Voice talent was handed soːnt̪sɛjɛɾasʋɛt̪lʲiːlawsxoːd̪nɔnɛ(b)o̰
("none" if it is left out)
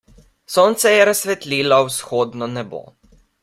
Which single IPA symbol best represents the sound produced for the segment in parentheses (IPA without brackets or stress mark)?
b